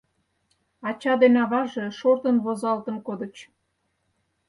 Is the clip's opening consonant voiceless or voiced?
voiceless